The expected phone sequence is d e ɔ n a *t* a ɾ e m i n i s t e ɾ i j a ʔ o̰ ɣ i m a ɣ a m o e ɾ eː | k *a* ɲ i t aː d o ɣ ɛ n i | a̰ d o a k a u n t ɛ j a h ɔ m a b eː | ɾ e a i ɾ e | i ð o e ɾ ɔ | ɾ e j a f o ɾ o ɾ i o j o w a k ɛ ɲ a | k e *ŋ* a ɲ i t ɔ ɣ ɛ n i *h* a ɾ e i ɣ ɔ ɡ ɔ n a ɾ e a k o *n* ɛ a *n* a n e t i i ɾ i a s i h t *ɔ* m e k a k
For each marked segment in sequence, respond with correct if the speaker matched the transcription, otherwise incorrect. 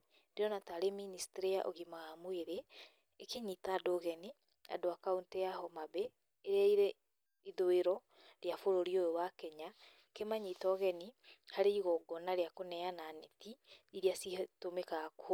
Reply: correct, incorrect: e, incorrect: m, correct, correct, correct, incorrect: o

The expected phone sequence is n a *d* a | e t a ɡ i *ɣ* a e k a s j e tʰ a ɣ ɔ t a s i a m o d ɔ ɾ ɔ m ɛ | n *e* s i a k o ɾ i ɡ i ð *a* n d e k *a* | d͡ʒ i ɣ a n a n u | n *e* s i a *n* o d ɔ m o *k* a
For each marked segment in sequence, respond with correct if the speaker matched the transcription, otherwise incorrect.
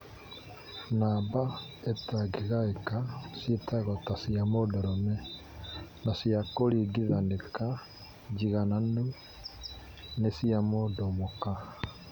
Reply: incorrect: b, correct, incorrect: a, correct, correct, correct, incorrect: m, correct

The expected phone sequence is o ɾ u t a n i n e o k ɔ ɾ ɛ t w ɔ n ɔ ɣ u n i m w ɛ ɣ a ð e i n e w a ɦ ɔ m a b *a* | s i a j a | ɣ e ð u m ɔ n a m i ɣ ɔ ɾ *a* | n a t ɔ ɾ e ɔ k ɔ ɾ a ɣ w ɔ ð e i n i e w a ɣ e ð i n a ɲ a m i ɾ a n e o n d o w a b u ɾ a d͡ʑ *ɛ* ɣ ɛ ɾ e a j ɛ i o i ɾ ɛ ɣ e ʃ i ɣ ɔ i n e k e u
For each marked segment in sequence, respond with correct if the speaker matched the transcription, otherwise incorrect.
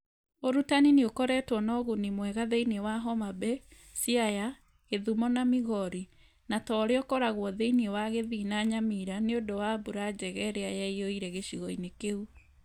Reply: incorrect: ɛ, incorrect: i, correct

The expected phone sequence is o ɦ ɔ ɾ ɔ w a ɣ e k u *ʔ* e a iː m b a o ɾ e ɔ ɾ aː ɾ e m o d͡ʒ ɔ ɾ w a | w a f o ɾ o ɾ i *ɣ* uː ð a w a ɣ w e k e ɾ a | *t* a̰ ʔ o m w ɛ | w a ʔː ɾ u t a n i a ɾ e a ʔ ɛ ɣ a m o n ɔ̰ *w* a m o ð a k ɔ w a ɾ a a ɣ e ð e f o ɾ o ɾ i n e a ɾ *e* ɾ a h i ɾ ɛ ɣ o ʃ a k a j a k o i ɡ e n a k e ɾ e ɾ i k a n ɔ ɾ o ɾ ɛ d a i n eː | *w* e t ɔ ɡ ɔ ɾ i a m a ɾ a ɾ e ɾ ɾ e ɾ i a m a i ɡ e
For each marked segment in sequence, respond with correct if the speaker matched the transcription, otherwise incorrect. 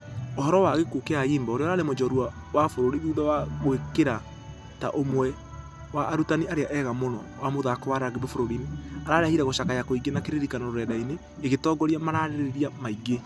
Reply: incorrect: k, incorrect: ð, correct, correct, incorrect: a, incorrect: ɣ

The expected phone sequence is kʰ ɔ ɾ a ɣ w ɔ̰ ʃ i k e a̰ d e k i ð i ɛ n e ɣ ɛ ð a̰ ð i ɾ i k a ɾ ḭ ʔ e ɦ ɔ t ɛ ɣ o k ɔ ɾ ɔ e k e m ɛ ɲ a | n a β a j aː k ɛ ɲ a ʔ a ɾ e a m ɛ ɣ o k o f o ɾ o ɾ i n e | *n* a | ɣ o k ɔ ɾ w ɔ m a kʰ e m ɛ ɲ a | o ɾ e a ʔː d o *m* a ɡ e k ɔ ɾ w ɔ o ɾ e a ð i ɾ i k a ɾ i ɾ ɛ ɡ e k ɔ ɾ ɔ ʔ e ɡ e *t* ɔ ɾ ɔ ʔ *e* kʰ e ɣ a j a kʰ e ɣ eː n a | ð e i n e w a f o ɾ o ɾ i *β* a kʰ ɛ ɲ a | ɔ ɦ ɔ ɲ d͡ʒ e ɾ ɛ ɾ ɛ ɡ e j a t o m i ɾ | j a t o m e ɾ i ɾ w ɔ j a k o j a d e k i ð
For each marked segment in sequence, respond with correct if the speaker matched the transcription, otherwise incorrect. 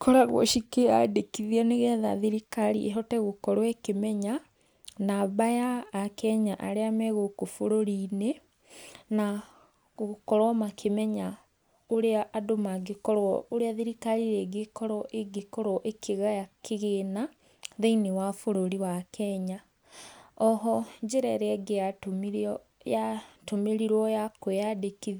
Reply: correct, correct, incorrect: k, correct, incorrect: w

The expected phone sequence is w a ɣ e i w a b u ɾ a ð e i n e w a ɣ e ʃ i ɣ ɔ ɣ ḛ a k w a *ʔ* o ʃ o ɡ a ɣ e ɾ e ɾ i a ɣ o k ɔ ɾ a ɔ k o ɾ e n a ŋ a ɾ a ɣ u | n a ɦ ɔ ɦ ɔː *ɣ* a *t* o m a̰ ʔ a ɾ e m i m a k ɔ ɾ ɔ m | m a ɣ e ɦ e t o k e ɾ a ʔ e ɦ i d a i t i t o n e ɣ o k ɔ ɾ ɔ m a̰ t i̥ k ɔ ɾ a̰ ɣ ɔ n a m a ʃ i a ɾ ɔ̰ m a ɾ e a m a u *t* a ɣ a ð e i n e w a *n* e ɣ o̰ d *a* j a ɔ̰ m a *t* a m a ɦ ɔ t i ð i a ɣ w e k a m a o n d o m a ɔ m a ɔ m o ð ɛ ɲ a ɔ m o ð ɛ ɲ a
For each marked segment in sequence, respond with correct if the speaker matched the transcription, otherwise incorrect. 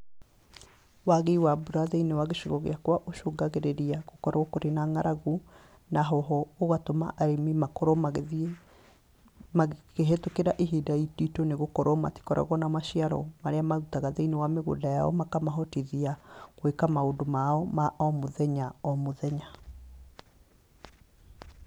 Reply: correct, correct, correct, correct, incorrect: m, correct, incorrect: k

